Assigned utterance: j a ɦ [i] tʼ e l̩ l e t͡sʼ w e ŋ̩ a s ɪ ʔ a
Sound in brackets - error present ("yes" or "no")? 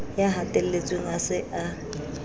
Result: yes